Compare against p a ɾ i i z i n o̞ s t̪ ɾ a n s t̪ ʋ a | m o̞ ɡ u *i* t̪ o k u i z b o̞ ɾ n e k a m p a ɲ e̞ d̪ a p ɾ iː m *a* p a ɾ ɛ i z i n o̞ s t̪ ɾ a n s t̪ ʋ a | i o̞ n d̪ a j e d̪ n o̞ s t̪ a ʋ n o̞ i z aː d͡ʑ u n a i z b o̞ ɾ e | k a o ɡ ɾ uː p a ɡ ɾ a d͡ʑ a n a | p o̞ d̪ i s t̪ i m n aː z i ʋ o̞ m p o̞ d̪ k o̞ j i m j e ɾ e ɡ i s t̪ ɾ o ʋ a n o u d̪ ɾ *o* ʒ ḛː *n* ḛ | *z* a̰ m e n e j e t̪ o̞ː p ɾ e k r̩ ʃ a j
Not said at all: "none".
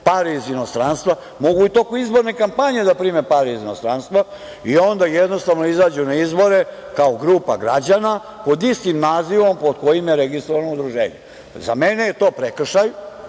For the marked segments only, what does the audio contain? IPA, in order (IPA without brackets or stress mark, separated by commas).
i, e, u, ɲ, z